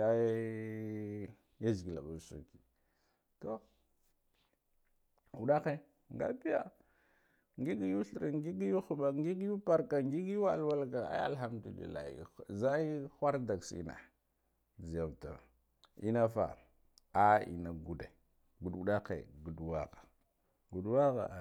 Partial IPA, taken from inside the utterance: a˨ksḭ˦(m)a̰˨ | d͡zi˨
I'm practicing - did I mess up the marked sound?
yes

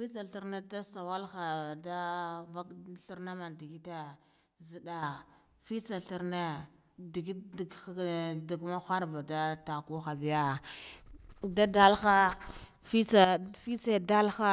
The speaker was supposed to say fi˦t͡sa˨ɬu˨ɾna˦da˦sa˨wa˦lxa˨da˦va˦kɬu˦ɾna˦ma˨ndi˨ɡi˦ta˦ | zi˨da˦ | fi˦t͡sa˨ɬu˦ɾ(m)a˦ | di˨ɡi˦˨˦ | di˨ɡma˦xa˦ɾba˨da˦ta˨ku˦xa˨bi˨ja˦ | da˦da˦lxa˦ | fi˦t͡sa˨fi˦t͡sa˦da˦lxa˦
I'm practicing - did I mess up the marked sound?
yes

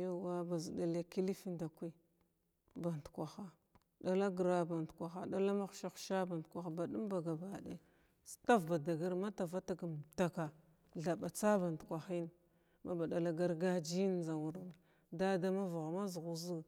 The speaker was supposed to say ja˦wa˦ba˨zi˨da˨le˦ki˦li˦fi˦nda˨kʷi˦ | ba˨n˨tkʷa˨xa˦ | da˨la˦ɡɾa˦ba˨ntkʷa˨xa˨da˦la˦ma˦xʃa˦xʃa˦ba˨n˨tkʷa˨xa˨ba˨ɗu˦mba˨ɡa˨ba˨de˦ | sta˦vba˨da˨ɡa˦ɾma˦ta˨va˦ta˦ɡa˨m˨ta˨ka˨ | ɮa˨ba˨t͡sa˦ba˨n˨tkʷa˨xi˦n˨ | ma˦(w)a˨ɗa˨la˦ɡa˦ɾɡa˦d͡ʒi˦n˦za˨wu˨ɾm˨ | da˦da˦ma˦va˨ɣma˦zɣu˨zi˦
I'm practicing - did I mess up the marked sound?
yes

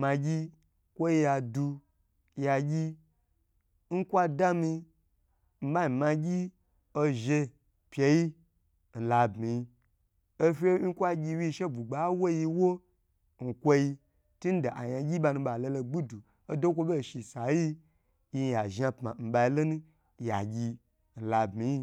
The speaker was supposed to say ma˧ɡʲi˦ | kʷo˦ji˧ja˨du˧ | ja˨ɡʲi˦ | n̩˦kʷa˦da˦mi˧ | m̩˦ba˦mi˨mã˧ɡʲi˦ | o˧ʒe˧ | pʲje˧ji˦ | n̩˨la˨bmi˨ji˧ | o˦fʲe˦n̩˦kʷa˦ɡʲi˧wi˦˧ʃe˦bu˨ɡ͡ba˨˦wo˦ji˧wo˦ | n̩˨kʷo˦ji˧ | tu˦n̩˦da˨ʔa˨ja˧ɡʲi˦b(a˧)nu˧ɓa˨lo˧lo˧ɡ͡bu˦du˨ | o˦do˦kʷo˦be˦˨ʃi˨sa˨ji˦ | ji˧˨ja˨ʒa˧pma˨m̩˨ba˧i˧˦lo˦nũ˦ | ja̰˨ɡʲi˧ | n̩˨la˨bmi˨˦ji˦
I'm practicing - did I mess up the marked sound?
no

